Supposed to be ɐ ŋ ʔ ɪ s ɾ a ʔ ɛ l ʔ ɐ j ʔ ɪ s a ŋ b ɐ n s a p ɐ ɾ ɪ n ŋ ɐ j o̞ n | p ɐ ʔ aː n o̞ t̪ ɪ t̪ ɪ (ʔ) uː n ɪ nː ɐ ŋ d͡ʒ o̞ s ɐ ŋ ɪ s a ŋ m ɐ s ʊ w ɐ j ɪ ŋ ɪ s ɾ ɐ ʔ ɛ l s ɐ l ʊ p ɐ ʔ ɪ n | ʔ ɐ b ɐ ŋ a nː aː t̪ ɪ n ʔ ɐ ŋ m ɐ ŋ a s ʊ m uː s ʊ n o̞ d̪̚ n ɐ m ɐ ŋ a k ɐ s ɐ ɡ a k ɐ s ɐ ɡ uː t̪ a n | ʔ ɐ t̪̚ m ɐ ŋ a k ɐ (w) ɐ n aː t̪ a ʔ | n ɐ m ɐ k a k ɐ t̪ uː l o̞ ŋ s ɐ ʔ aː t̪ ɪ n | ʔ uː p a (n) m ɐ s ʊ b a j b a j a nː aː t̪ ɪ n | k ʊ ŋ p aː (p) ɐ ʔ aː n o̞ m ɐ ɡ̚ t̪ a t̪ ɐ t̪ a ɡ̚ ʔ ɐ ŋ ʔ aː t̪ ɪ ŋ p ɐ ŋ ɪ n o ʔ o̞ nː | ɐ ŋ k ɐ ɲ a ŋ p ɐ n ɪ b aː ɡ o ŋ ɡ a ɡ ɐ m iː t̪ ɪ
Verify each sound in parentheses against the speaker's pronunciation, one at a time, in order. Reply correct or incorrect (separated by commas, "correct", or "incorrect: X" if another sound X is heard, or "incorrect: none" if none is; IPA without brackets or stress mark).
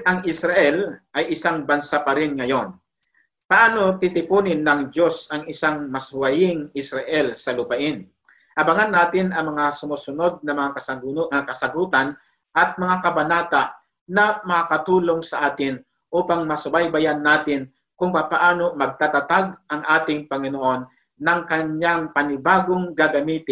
incorrect: p, incorrect: b, incorrect: ŋ, correct